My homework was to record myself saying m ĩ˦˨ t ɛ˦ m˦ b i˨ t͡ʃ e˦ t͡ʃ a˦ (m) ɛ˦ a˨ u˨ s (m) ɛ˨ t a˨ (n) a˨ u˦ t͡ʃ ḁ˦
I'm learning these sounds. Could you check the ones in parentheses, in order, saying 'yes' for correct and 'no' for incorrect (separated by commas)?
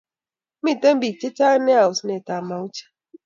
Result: no, no, no